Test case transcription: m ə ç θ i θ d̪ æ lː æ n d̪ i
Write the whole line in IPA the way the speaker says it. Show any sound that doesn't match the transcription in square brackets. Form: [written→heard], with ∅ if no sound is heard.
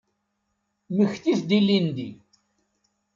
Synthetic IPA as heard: m ə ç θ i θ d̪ [æ→i] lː [æ→i] n d̪ i